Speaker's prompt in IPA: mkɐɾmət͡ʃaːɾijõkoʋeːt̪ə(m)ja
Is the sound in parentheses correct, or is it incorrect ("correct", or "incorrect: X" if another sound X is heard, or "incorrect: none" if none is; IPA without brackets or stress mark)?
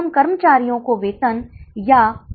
incorrect: n